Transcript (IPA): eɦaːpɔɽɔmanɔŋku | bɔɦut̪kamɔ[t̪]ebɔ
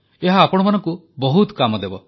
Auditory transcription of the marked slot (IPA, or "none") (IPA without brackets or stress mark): d̪